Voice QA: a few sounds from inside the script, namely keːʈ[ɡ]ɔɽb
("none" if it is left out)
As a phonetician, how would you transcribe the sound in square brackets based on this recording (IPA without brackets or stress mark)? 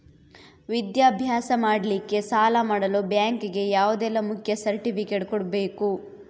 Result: k